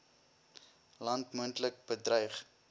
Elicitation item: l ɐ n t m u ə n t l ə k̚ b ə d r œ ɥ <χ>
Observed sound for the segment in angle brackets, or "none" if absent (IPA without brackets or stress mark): χ